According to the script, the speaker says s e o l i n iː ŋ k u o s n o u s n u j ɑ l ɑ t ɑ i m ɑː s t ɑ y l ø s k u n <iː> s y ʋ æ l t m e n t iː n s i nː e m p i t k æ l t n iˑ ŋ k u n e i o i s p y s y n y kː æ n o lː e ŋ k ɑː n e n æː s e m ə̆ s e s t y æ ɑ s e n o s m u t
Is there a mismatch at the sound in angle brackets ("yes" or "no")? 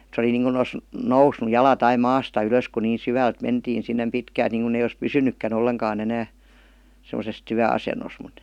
no